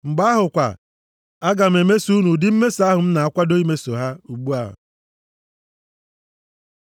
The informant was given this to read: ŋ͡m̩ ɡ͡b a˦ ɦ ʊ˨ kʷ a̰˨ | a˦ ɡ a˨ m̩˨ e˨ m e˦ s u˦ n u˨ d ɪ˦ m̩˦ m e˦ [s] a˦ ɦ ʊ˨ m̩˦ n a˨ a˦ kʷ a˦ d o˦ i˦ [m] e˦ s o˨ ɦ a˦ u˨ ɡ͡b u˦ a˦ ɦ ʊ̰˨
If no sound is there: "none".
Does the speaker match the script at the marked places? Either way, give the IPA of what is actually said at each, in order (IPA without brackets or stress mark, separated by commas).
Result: s, m